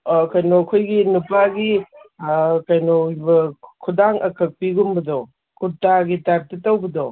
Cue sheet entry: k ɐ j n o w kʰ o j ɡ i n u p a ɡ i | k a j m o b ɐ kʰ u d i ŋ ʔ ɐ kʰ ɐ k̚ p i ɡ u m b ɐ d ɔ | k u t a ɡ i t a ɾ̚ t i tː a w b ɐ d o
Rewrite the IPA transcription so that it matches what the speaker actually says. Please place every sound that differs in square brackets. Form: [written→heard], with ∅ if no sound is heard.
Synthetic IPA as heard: k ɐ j n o [w→∅] kʰ o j ɡ i n u p a ɡ i | k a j [m→n] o b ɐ kʰ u d [i→a] ŋ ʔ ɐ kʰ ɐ k̚ p i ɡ u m b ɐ d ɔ | k u t a ɡ i t a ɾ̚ t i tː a w b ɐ d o